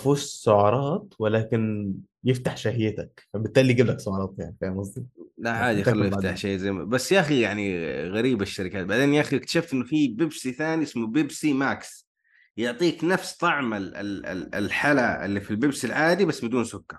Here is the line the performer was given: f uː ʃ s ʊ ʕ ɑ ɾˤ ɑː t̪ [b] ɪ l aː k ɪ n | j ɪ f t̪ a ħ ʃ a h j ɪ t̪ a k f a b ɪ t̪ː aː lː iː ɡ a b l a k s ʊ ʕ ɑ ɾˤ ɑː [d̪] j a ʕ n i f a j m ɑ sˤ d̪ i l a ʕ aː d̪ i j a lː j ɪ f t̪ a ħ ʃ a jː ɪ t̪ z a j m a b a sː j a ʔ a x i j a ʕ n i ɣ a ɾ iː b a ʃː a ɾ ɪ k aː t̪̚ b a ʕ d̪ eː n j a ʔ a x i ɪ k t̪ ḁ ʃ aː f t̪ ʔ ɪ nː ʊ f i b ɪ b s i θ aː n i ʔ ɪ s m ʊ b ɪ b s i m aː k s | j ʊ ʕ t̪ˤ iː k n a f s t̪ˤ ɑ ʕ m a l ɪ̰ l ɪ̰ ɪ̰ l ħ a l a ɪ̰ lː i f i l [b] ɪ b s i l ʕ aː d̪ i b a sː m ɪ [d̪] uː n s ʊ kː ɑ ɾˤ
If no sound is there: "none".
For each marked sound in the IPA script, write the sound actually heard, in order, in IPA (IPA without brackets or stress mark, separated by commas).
w, t̪, b, d̪